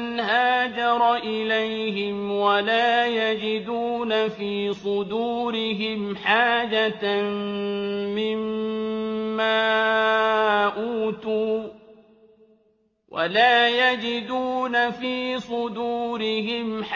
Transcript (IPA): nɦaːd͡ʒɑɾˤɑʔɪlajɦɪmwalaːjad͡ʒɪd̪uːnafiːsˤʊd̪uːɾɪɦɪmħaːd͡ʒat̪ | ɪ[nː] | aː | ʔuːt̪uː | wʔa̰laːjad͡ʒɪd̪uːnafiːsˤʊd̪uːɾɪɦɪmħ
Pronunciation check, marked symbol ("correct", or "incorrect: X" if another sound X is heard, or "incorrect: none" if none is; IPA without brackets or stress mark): incorrect: mː